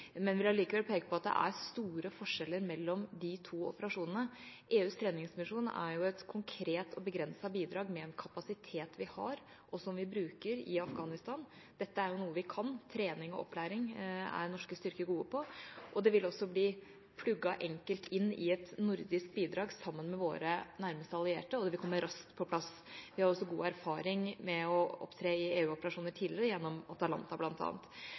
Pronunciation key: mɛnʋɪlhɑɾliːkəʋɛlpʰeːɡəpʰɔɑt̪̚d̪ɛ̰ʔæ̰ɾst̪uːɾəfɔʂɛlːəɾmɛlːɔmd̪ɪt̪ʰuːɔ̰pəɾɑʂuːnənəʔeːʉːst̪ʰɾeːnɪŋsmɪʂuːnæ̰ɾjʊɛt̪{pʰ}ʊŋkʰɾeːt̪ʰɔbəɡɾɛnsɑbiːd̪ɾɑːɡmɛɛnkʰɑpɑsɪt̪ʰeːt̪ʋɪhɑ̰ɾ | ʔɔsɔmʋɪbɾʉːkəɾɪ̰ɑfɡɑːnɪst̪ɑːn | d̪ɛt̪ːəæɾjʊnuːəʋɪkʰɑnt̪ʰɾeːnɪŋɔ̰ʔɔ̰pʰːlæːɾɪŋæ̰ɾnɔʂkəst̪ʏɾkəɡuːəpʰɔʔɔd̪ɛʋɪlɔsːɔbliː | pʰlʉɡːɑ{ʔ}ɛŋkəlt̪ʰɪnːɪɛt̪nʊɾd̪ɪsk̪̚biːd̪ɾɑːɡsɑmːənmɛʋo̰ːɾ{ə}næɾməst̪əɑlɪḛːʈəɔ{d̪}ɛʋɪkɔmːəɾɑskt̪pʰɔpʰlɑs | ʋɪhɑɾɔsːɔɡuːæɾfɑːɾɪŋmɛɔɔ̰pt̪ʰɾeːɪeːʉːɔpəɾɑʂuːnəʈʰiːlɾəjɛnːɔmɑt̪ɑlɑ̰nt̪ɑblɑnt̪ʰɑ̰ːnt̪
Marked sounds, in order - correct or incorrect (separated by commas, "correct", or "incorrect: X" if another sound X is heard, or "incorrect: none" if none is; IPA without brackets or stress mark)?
incorrect: kʰ, correct, correct, correct